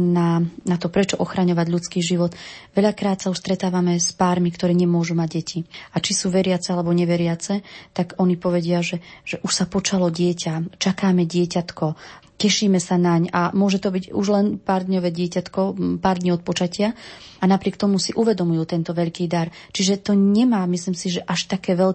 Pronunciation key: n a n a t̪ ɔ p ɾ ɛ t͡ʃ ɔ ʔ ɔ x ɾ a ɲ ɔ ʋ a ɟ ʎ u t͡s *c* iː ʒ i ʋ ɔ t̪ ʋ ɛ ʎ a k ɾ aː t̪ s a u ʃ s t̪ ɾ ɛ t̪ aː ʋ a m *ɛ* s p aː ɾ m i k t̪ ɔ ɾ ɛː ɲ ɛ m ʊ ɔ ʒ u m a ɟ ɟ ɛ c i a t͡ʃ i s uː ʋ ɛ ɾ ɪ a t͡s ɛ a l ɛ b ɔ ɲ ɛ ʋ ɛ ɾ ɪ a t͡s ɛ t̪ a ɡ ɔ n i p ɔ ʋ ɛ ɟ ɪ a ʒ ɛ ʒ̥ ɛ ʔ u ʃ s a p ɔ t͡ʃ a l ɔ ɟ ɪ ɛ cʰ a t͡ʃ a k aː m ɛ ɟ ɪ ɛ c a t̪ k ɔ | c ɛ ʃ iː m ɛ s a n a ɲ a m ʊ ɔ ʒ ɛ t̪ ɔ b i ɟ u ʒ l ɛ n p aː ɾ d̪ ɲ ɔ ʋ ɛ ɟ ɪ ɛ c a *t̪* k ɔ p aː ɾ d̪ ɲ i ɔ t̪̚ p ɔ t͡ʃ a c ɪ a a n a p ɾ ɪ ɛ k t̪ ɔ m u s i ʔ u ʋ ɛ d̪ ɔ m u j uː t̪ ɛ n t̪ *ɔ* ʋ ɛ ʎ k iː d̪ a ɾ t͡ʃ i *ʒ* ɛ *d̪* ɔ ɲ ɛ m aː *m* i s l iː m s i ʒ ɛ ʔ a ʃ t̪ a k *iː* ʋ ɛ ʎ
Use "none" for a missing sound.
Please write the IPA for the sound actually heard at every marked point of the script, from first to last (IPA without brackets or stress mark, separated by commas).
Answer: k, ɛ, t̪, ɔ, ʒ, t̪, m, ɛː